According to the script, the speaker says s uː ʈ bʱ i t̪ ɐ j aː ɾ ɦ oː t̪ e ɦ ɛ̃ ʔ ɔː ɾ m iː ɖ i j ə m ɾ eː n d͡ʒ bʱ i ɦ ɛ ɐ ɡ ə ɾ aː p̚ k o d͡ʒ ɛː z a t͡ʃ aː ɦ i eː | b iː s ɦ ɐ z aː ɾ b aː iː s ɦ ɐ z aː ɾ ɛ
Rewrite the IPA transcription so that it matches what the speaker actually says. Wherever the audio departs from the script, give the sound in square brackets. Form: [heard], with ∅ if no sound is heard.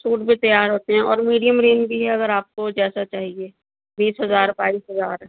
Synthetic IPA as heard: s uː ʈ bʱ i t̪ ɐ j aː ɾ ɦ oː t̪ e ɦ ɛ̃ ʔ ɔː ɾ m iː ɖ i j ə m ɾ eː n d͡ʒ bʱ i ɦ ɛ ɐ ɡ ə ɾ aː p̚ k o d͡ʒ ɛː [s] a t͡ʃ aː ɦ i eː | b iː s ɦ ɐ z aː ɾ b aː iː s ɦ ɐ z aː ɾ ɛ